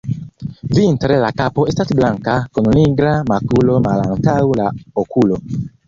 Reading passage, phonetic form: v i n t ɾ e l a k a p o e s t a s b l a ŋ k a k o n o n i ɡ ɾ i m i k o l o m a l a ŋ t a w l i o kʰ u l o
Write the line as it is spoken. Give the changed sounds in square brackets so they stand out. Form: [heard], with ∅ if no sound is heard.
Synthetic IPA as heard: v i n t ɾ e l a k a p o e s t a s b l a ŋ k a k o n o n i ɡ ɾ [a] m [a] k [u] l o m a l a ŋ t a w l [a] o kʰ u l o